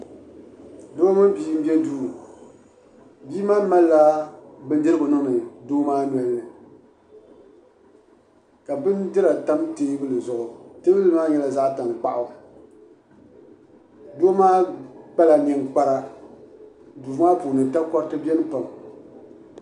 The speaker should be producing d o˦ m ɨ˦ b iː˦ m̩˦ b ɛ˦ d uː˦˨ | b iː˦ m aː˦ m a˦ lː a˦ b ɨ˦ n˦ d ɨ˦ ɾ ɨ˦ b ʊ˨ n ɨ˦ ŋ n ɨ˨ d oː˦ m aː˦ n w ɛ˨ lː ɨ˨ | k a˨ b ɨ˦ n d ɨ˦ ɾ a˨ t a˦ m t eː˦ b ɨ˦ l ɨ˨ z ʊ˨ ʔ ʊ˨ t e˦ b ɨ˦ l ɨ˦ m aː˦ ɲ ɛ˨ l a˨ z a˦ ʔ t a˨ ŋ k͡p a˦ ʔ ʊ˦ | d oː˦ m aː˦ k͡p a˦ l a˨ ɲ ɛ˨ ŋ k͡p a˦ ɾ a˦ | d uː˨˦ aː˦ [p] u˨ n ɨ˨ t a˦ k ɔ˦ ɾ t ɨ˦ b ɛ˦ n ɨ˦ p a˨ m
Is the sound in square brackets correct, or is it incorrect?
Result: correct